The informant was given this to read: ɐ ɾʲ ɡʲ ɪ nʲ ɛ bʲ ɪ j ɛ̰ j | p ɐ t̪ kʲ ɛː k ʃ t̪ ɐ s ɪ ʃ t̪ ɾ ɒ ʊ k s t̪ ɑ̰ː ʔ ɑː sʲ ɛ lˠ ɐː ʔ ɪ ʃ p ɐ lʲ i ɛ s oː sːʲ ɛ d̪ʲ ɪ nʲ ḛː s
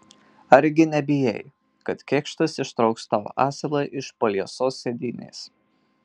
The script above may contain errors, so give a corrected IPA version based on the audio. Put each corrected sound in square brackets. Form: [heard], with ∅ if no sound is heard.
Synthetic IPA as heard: ɐ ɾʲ ɡʲ ɪ nʲ ɛ bʲ ɪ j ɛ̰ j | [k] ɐ t̪ kʲ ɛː k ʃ t̪ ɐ s ɪ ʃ t̪ ɾ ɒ ʊ k s t̪ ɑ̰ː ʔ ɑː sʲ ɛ lˠ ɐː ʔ ɪ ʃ p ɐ lʲ i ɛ s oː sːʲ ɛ d̪ʲ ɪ nʲ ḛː s